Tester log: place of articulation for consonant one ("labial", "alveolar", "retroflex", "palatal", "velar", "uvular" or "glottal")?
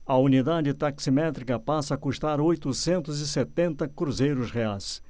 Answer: alveolar